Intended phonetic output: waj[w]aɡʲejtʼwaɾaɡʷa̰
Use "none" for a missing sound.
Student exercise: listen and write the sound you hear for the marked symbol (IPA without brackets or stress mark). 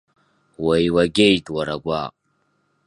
w